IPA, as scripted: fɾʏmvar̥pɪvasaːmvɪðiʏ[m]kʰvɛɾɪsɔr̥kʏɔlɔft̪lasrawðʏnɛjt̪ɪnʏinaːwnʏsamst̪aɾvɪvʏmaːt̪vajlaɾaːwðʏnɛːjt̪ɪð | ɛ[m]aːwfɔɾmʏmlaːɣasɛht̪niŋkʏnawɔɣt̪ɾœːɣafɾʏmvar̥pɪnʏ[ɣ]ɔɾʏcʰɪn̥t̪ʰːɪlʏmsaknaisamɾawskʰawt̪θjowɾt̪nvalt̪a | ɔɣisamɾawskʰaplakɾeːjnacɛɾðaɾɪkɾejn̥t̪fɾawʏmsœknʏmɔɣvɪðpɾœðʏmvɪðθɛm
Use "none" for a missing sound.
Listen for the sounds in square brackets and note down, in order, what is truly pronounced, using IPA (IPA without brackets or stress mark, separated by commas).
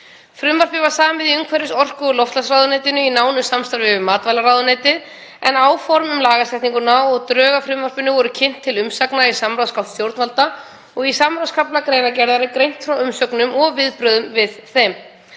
ŋ, n, v